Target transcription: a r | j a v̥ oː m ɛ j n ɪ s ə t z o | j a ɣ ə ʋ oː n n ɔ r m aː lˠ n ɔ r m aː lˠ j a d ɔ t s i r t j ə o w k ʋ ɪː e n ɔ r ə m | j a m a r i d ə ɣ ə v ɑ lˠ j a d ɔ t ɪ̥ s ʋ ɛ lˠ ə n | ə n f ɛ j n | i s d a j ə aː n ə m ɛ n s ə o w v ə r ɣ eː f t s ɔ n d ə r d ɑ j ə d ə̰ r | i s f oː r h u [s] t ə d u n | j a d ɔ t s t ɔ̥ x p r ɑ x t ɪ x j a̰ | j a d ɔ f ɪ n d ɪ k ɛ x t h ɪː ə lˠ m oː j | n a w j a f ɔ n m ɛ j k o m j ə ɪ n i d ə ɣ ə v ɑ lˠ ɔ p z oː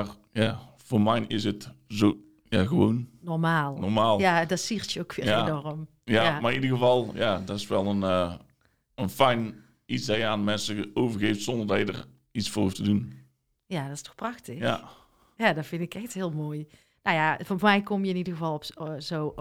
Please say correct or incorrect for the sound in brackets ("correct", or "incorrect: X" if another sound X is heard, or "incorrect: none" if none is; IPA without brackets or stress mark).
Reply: incorrect: f